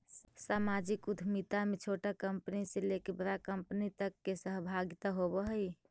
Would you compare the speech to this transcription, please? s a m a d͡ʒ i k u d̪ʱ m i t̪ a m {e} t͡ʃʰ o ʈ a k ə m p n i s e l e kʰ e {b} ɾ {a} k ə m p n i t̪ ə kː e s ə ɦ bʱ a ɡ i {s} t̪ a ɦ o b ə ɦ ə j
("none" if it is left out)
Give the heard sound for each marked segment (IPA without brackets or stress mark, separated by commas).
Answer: e, b, a, none